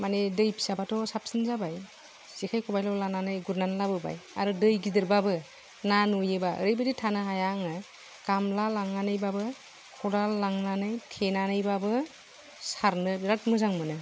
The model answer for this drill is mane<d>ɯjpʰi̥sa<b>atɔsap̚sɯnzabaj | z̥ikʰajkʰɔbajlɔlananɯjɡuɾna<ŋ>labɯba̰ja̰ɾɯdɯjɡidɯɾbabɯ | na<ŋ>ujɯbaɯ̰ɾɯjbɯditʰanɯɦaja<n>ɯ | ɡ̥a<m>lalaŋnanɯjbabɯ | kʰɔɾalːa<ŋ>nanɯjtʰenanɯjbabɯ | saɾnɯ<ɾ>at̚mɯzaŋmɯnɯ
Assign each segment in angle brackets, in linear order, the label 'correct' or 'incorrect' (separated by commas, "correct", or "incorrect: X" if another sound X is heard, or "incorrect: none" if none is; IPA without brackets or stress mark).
correct, correct, incorrect: n, incorrect: n, incorrect: ŋ, correct, correct, correct